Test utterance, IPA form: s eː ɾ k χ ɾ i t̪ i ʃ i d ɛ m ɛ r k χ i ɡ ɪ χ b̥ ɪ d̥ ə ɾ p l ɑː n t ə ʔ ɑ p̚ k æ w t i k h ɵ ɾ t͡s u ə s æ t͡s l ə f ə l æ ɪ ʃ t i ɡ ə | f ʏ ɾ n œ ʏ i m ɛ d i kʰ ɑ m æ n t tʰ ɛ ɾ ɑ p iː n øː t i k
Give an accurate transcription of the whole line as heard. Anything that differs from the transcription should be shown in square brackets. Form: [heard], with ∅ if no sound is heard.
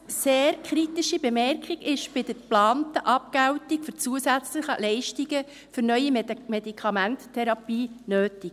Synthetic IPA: s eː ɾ k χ ɾ i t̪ i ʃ i [b] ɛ m ɛ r k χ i ɡ ɪ [ʃ] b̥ ɪ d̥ ə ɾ p l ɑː n t ə ʔ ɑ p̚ k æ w t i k [f] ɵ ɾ t͡s u ə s æ t͡s l ə [χ] ə l [ɛ] ɪ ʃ t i ɡ ə | f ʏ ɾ n œ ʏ i m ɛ d i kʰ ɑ m æ n t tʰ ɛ ɾ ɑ p iː n øː t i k

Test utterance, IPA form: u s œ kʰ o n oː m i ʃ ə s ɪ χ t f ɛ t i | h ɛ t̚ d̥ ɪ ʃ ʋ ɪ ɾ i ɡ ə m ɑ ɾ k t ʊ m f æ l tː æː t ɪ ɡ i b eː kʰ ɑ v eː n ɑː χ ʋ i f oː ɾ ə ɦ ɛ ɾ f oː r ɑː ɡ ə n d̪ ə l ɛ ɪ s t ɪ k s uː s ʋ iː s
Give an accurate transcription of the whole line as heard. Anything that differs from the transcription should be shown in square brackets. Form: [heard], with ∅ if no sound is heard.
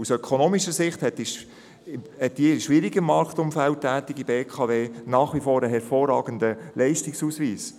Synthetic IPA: u s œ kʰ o n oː m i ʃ ə s ɪ χ t [h] ɛ t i | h ɛ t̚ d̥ [i] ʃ ʋ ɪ ɾ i ɡ ə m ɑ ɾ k t ʊ m f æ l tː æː t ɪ ɡ i b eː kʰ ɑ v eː n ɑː χ ʋ i f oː ɾ ə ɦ ɛ ɾ f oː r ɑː ɡ ə n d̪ ə l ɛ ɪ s t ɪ k s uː s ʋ iː s

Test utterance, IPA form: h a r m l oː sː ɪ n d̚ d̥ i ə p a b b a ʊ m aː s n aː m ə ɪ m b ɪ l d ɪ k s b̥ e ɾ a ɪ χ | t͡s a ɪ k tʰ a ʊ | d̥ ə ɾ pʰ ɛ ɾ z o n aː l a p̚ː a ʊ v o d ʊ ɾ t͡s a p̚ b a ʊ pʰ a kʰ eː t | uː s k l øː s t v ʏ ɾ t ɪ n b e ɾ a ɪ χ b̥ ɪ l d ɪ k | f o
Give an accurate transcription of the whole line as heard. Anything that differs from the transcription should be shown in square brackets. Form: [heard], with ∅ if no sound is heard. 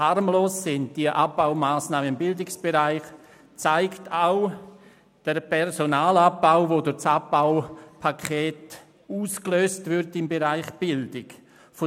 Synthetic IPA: h a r m l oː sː ɪ n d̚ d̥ i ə [ʔ] a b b a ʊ m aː s n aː m ə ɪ m b ɪ l d ɪ k s b̥ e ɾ a ɪ χ | t͡s a ɪ k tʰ a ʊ | d̥ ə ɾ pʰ ɛ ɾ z o n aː l a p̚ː a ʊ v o d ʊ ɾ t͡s a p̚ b a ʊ pʰ a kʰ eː t | uː s k l øː s t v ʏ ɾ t ɪ [m] b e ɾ a ɪ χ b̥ ɪ l d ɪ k | f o

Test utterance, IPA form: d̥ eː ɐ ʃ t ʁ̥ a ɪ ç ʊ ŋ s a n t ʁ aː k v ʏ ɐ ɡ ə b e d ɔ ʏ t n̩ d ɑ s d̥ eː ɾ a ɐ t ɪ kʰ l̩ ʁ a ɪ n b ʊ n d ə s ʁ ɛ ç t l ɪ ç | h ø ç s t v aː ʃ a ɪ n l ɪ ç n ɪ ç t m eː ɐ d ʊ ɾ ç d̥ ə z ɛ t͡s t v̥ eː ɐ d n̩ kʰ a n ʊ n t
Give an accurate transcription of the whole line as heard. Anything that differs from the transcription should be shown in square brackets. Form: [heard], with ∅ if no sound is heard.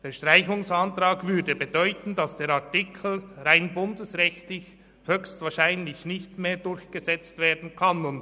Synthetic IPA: d̥ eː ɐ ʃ t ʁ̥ a ɪ ç ʊ ŋ s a n t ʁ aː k v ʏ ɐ [d] ə b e d ɔ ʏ t n̩ d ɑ s d̥ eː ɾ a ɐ t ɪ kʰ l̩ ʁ a ɪ n b ʊ n d ə s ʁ ɛ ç t l ɪ ç | h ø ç s t v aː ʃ a ɪ n l ɪ ç n ɪ ç t m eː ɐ d ʊ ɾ ç [ɡ̥] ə z ɛ t͡s t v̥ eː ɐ d n̩ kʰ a n ʊ n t

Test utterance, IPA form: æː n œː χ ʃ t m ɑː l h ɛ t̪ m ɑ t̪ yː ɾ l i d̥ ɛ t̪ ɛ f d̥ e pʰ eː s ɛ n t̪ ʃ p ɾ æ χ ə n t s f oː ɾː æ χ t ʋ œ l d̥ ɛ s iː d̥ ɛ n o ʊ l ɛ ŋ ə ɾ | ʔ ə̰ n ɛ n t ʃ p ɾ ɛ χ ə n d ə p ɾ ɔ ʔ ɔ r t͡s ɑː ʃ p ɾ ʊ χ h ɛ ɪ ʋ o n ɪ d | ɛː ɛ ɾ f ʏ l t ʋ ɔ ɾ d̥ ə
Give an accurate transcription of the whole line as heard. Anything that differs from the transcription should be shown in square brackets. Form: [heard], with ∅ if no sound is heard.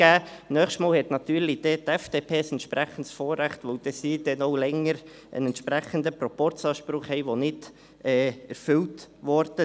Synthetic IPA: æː n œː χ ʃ t m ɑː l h ɛ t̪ [n] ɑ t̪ yː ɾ l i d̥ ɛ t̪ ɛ f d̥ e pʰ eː s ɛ n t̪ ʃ p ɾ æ χ ə n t s f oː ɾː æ χ t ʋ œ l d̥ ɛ s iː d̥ ɛ n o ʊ l ɛ ŋ ə ɾ | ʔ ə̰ n ɛ n t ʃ p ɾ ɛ χ ə n d ə p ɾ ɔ [p] ɔ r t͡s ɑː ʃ p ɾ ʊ χ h ɛ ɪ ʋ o n ɪ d | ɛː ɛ ɾ f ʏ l t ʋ ɔ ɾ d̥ ə

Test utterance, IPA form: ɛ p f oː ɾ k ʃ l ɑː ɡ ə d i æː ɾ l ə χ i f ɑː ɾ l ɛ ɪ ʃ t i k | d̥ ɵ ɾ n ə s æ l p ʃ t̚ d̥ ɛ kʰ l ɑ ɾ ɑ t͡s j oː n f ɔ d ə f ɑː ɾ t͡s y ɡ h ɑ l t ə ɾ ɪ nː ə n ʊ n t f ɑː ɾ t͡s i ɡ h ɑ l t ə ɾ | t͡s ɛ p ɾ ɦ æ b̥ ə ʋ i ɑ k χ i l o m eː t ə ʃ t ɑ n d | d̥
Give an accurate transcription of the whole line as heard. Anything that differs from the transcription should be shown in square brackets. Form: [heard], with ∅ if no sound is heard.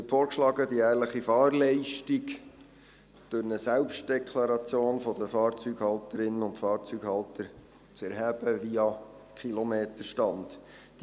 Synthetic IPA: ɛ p f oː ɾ k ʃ l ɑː ɡ ə d i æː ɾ l ə χ i f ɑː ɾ l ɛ ɪ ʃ t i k | d̥ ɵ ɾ n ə s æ l p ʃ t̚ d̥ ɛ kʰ l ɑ ɾ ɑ t͡s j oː n f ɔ d ə f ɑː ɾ t͡s y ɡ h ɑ l t ə ɾ ɪ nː ə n ʊ n t f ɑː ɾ t͡s [y] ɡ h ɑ l t ə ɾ | t͡s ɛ [∅] ɾ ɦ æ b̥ ə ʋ i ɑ k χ i l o m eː t ə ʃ t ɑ n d | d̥

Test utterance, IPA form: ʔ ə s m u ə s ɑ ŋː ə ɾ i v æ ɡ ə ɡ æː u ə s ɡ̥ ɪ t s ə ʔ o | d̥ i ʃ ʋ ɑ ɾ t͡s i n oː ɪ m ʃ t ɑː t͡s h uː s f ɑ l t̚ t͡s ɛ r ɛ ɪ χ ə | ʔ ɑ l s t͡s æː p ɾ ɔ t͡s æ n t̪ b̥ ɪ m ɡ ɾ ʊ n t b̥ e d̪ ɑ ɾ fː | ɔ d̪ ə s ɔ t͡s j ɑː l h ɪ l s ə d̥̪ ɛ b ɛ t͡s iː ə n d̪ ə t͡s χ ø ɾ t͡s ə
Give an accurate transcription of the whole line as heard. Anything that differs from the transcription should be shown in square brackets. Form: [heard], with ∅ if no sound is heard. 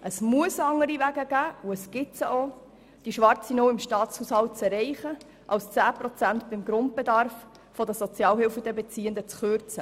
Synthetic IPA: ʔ ə s m u ə s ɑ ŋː ə ɾ i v æ ɡ ə ɡ æː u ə s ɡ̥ ɪ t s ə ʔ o | d̥ i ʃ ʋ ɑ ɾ t͡s i n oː ɪ m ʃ t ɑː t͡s h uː s [h] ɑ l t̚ t͡s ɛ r ɛ ɪ χ ə | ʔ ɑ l s t͡s æː p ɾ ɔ t͡s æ n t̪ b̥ ɪ m ɡ ɾ ʊ n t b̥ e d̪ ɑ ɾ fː | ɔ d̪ ə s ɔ t͡s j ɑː l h ɪ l [f] ə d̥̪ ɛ b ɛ t͡s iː ə n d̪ ə t͡s χ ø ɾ t͡s ə

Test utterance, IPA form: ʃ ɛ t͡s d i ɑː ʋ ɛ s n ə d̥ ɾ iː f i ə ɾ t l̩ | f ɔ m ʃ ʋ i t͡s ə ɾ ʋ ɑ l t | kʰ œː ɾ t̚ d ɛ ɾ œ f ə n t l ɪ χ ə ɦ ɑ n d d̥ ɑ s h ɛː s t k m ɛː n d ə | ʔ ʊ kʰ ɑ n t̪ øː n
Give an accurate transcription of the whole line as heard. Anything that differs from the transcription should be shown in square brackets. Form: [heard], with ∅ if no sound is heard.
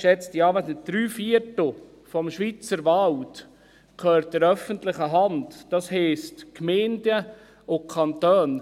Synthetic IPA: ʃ ɛ t͡s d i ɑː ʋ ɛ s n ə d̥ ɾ [yː] f i ə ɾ t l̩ | f ɔ m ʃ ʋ i t͡s ə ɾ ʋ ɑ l t | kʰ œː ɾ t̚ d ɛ ɾ œ f ə n t l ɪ χ ə ɦ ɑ n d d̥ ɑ s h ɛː s t k m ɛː n d ə | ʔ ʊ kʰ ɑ n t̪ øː n

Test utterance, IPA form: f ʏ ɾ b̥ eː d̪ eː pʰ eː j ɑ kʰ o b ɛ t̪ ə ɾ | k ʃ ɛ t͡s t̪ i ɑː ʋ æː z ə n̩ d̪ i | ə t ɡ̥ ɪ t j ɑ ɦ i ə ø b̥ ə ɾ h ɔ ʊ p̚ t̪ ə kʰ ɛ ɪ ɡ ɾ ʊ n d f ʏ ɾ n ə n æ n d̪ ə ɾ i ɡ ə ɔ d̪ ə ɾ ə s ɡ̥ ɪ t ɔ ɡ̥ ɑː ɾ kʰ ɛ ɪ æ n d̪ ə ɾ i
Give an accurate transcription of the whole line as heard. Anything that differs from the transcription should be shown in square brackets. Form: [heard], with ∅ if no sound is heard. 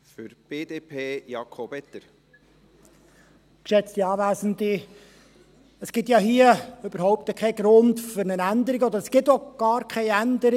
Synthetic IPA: f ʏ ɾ b̥ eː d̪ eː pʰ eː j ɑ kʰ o b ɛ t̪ ə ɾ | k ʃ ɛ t͡s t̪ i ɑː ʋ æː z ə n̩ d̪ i | ə [s] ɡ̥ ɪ t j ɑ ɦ i ə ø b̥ ə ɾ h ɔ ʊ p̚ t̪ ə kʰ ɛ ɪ ɡ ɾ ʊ n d f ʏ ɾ n ə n æ n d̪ ə ɾ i ɡ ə ɔ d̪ ə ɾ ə s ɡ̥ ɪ t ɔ ɡ̥ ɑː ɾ kʰ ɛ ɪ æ n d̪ ə ɾ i

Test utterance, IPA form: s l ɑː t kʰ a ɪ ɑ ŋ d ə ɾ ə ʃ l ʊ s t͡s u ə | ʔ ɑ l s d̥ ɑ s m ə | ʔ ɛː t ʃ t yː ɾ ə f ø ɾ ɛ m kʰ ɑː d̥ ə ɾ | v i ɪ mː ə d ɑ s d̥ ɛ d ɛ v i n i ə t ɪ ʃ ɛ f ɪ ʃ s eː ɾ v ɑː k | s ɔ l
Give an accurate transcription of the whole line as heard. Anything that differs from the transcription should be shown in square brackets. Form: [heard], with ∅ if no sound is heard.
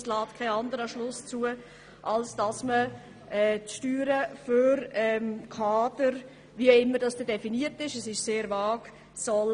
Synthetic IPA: s l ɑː t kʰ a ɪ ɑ [n] d ə ɾ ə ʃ l ʊ s t͡s u ə | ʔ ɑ l s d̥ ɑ s m ə | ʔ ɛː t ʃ t yː ɾ ə f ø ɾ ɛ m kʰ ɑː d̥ ə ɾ | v i ɪ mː ə d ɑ s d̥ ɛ d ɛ [f] i n i ə t ɪ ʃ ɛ [s] ɪ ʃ s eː ɾ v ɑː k | s ɔ l

